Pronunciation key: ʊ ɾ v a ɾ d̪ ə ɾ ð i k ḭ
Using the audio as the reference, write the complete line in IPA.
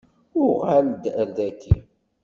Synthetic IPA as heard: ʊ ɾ ʁ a l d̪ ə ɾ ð æ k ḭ